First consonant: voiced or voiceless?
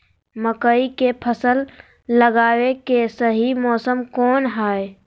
voiced